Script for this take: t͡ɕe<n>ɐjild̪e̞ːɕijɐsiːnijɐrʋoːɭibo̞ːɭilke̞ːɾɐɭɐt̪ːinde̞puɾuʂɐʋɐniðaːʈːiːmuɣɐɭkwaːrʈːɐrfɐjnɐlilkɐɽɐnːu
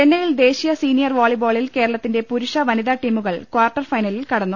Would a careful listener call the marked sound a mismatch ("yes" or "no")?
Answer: yes